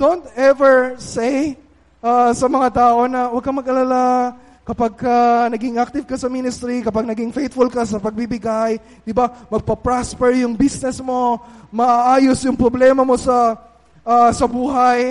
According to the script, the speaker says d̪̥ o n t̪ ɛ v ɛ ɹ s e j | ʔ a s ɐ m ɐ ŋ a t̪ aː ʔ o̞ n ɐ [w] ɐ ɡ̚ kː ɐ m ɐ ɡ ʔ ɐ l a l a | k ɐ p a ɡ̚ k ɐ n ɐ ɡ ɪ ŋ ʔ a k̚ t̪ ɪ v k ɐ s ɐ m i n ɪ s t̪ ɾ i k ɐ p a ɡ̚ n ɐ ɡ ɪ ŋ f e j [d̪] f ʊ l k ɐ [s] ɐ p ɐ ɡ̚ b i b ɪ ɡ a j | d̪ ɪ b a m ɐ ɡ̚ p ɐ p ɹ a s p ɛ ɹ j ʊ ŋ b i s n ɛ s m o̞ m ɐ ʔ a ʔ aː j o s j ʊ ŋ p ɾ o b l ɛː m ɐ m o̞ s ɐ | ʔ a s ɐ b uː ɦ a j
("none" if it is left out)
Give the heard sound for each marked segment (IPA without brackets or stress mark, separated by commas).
w, t̪, s